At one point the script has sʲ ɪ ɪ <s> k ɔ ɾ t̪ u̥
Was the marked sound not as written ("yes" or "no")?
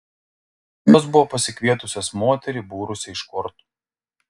yes